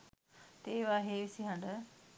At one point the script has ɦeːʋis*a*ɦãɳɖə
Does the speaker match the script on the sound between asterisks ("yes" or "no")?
no